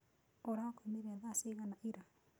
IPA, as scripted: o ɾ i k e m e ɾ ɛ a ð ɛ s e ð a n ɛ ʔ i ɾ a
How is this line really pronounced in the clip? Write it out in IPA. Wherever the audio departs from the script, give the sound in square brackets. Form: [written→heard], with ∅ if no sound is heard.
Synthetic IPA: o ɾ [i→a] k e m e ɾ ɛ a ð [ɛ→a] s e [ð→ɣ] a n [ɛ→a] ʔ i ɾ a